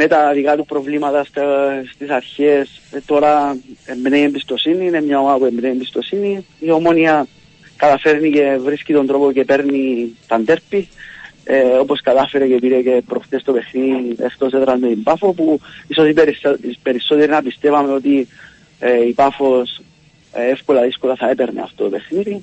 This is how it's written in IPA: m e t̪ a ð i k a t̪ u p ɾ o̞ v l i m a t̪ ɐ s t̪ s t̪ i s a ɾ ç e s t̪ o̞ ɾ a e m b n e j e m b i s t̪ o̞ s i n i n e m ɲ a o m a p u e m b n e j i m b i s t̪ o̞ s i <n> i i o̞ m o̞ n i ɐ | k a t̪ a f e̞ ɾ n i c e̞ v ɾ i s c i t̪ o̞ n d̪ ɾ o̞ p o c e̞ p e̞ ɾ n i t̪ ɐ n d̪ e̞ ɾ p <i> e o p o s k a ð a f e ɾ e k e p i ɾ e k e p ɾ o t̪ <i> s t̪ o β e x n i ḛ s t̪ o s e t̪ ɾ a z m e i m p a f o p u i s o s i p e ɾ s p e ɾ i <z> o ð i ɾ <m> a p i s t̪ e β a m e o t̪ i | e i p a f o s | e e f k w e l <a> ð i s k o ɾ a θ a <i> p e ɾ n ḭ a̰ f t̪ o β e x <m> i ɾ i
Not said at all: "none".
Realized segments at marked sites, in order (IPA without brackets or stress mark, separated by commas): n, i, e, s, n, a, e, n